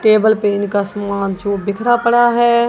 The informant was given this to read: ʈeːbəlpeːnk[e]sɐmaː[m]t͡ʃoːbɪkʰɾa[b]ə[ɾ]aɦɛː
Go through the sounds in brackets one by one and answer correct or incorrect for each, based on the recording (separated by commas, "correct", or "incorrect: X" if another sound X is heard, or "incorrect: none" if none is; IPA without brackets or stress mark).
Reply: incorrect: a, incorrect: n, incorrect: p, incorrect: ɽ